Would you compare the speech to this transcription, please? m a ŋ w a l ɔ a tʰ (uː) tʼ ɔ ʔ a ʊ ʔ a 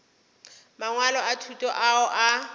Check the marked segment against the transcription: incorrect: u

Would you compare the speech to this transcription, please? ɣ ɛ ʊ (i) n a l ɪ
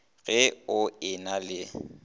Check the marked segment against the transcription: incorrect: ɪ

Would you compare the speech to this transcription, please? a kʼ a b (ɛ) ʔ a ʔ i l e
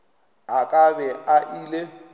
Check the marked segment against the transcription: correct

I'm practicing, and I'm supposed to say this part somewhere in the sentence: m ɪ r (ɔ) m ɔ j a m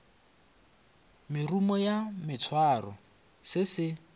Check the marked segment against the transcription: incorrect: u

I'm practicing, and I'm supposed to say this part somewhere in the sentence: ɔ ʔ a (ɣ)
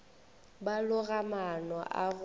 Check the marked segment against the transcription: correct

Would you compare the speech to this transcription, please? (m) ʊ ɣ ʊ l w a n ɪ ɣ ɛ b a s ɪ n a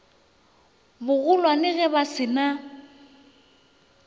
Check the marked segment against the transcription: incorrect: b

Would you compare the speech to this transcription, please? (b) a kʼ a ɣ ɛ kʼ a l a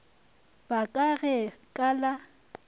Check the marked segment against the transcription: correct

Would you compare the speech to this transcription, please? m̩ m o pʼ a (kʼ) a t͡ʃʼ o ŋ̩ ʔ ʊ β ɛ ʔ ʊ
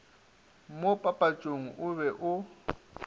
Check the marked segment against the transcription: incorrect: pʼ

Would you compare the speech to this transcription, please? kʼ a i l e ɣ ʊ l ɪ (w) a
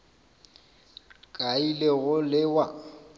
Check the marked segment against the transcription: correct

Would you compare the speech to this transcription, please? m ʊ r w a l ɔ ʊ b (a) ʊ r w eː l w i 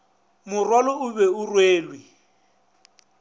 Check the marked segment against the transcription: incorrect: ɛ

